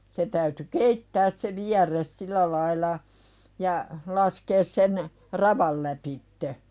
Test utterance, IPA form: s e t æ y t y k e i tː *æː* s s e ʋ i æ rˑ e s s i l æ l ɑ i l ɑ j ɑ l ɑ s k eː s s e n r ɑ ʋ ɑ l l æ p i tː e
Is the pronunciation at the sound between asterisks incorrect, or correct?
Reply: correct